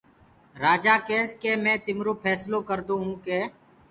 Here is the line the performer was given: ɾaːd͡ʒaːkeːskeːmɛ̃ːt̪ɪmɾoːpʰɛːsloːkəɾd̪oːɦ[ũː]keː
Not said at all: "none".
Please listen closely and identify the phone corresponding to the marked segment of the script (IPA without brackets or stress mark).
ũː